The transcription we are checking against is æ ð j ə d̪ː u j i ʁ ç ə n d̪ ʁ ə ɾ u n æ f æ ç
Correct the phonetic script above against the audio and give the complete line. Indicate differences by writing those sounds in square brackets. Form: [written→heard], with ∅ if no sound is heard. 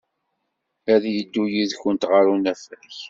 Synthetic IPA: æ ð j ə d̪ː u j i [ʁ→ð] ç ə n [d̪→t̪] ʁ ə ɾ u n æ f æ ç